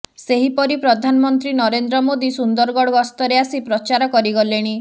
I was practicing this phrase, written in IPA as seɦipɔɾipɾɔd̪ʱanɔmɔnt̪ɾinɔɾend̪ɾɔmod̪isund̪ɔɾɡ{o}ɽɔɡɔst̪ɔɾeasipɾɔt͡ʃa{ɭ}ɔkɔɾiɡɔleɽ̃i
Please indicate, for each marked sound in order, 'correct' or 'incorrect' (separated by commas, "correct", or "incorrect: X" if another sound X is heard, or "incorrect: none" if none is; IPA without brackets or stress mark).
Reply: incorrect: ɔ, incorrect: ɾ